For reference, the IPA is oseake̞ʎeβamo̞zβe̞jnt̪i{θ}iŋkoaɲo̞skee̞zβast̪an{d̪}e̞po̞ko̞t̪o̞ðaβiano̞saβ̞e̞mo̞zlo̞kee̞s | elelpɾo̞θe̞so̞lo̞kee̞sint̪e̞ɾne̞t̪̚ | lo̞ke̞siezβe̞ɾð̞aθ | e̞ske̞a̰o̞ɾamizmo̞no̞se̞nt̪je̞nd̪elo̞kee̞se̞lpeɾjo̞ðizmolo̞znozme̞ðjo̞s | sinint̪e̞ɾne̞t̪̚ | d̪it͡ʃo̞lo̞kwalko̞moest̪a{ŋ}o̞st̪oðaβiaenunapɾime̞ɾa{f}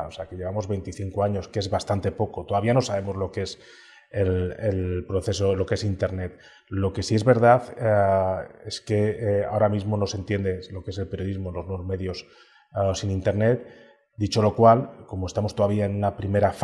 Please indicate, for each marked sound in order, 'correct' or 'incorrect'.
correct, incorrect: t̪, incorrect: m, correct

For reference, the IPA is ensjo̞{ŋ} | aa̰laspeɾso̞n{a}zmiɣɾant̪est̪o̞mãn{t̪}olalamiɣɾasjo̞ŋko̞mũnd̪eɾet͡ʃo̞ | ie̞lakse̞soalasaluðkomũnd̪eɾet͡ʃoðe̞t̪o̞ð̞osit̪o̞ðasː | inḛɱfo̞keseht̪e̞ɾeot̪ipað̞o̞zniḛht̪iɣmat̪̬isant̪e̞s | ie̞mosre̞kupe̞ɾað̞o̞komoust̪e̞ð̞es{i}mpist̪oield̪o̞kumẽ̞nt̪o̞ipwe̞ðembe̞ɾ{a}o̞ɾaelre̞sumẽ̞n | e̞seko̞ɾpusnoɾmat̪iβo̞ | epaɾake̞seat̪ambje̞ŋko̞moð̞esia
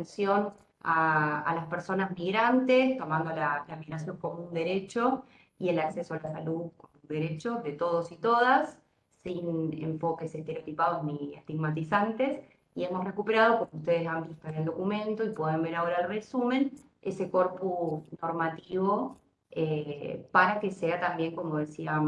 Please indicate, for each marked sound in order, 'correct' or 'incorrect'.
incorrect: n, correct, incorrect: d̪, incorrect: a, correct

